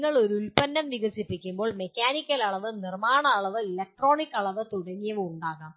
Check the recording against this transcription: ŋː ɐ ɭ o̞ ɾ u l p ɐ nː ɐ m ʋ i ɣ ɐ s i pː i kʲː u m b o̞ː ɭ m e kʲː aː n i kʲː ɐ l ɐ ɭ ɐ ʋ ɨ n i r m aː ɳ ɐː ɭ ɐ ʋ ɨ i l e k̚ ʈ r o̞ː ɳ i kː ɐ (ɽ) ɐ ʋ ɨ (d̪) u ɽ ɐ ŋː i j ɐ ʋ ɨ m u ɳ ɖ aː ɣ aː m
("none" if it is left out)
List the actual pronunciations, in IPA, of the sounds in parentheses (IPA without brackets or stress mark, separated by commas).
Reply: ɭ, t̪